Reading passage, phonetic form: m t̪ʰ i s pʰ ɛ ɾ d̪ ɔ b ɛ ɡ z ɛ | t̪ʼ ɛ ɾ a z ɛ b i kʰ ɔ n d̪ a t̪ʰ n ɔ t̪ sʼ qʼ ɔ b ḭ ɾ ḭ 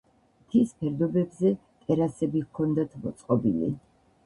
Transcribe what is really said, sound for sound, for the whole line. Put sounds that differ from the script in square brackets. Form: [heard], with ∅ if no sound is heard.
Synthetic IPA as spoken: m t̪ʰ i s pʰ ɛ ɾ d̪ ɔ b ɛ [b] z ɛ | t̪ʼ ɛ ɾ a [s] ɛ b i kʰ ɔ n d̪ a t̪ʰ [m] ɔ t̪ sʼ qʼ ɔ b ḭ [l] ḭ